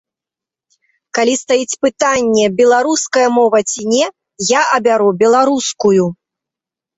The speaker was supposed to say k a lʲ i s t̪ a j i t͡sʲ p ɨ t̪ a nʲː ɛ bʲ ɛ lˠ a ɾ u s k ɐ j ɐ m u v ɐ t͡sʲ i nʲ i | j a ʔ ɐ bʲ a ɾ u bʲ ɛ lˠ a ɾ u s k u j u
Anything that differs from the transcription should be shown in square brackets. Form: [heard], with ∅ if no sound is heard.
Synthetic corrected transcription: k a lʲ i s t̪ a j i t͡sʲ p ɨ t̪ a nʲː ɛ bʲ ɛ lˠ a ɾ u s k ɐ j ɐ m [ɔ] v ɐ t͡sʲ i nʲ [ɛ] | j a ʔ ɐ bʲ a ɾ u bʲ ɛ lˠ a ɾ u s k u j u